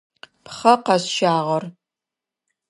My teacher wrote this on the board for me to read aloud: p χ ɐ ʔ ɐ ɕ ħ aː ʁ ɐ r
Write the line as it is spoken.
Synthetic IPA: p χ ɐ q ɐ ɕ ʃ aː ʁ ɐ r